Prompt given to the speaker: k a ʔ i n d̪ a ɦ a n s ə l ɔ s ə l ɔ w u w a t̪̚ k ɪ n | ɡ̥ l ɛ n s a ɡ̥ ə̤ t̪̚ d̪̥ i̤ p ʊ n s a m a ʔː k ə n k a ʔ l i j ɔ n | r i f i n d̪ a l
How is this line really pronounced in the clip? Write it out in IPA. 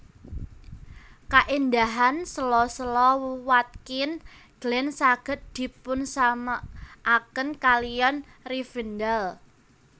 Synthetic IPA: k a ʔ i n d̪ a ɦ a n s ə l ɔ s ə l ɔ w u w a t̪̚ k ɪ n | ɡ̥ l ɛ n s a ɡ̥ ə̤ t̪̚ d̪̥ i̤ p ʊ n s a m a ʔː k ə n k a l i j ɔ n | r i f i n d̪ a l